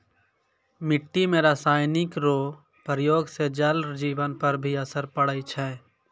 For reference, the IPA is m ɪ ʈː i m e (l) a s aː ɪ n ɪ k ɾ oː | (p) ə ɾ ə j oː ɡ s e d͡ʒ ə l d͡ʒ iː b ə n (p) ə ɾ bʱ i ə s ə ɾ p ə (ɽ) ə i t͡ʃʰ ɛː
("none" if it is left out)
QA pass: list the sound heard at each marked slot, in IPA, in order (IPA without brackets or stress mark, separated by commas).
ɾ, p, p, ɽ